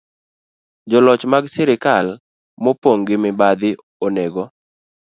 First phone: d͡ʒ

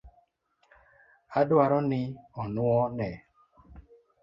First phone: a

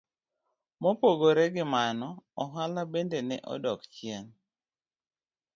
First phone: m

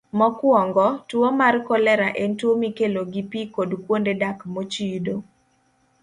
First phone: m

